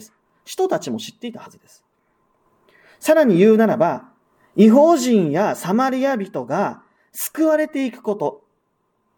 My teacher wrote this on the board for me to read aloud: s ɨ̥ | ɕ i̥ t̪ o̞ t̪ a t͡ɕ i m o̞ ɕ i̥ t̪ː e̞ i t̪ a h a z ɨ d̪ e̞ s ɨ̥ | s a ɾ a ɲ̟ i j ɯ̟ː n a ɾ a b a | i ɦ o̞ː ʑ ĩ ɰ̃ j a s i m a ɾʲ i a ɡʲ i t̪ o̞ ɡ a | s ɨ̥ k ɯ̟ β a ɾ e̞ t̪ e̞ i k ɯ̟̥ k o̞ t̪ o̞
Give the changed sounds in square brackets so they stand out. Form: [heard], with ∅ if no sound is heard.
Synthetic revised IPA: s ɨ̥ | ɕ i̥ t̪ o̞ t̪ a t͡ɕ i m o̞ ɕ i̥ t̪ː e̞ i t̪ a h a z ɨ d̪ e̞ s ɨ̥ | s a ɾ a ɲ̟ i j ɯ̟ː n a ɾ a b a | i ɦ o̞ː ʑ ĩ ɰ̃ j a s [a] m a ɾʲ i a [bʲ] i t̪ o̞ ɡ a | s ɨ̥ k ɯ̟ β a ɾ e̞ t̪ e̞ i k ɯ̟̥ k o̞ t̪ o̞